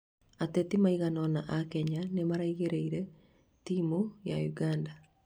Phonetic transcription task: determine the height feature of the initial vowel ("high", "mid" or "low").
low